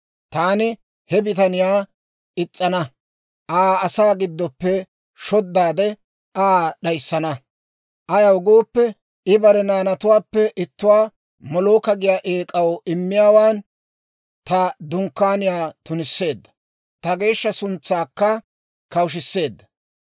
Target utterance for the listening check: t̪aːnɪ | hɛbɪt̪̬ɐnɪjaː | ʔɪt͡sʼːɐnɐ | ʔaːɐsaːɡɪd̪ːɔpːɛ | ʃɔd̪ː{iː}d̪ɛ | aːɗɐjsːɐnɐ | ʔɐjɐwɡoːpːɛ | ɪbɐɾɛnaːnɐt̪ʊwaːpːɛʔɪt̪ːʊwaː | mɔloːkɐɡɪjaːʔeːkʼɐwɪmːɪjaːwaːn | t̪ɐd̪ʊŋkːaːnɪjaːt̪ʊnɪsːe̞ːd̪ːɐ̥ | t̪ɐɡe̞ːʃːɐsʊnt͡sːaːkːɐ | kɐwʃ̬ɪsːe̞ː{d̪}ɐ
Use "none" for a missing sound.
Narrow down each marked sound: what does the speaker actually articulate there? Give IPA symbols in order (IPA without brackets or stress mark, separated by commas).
aː, d̪ː